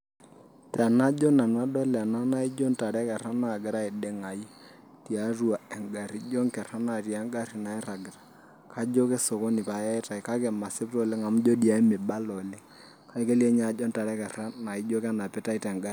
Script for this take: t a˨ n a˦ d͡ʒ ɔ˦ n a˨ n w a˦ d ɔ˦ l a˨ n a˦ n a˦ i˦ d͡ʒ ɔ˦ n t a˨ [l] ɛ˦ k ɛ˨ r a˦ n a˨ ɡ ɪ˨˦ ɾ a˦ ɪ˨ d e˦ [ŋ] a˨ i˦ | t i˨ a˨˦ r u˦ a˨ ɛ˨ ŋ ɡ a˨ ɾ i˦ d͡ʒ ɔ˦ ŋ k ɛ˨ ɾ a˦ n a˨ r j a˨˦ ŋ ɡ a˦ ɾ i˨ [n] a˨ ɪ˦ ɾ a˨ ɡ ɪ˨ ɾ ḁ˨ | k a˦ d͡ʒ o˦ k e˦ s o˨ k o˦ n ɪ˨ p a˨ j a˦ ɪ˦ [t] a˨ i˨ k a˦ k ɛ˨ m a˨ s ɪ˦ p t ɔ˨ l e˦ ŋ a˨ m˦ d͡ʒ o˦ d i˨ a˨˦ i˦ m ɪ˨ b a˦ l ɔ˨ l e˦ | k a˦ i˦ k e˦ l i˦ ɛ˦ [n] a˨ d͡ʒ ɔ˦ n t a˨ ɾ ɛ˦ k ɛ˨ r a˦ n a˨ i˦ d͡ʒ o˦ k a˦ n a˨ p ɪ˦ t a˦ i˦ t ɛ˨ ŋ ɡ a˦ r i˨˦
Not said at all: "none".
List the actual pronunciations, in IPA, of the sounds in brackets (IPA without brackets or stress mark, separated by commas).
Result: ɾ, ŋ, n, t, ɲ